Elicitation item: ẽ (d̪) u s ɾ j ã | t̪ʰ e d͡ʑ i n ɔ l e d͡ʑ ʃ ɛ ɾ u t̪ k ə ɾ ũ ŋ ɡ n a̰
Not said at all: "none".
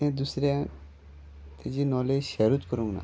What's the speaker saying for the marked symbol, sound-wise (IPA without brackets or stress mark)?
d̪